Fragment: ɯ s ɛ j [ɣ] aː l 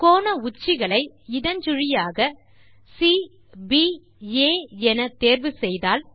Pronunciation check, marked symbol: incorrect: ð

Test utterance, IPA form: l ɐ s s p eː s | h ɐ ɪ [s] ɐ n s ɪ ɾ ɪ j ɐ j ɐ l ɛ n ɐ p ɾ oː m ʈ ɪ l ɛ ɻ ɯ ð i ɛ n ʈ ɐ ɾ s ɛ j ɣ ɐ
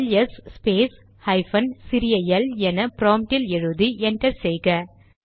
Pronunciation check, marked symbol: incorrect: f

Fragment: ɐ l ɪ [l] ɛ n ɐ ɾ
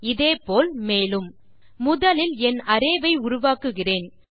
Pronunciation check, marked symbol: correct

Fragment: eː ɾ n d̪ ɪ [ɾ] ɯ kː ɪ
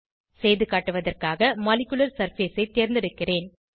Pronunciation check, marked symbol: incorrect: ɽ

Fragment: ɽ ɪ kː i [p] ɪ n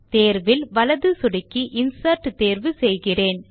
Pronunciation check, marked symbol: incorrect: ʔ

